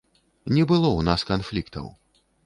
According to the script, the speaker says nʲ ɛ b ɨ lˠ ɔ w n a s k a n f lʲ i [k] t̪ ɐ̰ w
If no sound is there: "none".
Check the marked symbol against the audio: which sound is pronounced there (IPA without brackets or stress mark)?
k